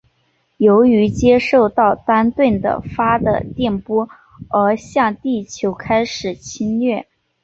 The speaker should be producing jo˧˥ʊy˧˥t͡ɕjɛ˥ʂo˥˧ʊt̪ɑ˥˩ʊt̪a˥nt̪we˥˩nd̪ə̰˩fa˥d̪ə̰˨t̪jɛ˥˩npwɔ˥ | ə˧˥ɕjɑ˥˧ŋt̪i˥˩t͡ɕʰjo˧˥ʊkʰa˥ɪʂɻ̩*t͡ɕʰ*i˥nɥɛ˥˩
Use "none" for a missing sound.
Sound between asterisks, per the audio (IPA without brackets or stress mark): t͡ɕʰ